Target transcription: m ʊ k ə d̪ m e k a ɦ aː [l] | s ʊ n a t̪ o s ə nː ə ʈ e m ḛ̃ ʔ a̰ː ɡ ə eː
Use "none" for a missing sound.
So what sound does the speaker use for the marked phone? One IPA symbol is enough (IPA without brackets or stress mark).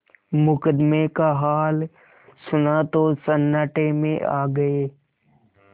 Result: l